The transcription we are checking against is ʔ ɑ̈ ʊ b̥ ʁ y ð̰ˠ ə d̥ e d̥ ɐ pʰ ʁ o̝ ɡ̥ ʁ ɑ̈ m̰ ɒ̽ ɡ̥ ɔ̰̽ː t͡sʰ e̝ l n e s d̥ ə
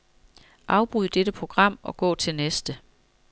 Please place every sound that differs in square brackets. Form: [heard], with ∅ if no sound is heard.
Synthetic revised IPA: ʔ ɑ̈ ʊ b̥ ʁ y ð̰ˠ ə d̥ e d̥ [ə] pʰ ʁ o̝ ɡ̥ ʁ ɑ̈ m̰ ɒ̽ ɡ̥ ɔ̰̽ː t͡sʰ e̝ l n e s d̥ ə